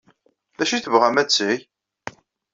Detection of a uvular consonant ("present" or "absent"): present